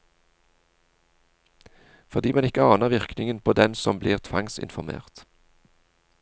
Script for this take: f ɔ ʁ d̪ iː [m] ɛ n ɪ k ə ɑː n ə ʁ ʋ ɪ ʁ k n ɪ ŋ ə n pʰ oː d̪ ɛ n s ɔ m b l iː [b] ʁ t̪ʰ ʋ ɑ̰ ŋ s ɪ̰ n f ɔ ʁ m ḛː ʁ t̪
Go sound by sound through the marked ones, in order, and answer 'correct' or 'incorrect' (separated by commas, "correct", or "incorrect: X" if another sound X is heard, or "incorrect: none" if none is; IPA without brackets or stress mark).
correct, incorrect: none